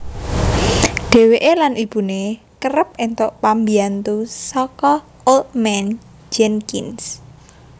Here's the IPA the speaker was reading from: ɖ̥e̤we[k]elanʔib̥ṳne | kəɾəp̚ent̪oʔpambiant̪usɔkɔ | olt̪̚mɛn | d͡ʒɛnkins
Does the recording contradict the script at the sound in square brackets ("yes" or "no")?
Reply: yes